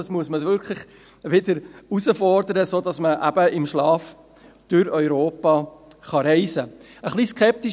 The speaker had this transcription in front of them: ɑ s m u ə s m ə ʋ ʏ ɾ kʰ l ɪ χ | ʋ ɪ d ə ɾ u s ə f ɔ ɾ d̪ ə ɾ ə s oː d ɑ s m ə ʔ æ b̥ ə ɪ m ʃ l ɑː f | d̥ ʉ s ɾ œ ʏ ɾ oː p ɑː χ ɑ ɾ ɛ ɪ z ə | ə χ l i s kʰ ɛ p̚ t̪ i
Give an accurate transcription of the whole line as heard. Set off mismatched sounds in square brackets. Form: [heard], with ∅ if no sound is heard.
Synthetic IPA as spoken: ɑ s m u ə s m ə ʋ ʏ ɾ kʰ l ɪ χ | ʋ ɪ d ə ɾ u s ə f ɔ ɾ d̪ ə ɾ ə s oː d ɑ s m ə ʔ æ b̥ ə ɪ m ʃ l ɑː f | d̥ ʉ [∅] ɾ œ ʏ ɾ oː p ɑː χ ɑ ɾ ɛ ɪ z ə | ə χ l i s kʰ ɛ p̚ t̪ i